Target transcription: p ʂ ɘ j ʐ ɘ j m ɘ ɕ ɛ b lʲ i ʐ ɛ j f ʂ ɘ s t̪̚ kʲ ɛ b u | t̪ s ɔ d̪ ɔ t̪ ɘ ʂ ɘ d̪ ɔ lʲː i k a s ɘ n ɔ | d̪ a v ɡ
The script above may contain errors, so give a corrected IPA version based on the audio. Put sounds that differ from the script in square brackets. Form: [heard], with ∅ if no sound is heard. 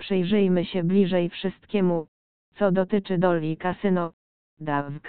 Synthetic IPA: p ʂ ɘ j ʐ ɘ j m ɘ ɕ ɛ b lʲ i ʐ ɛ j f ʂ ɘ s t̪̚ kʲ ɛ [m] u | t̪ s ɔ d̪ ɔ t̪ ɘ [t͡ʂ] ɘ d̪ ɔ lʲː i k a s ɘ n ɔ | d̪ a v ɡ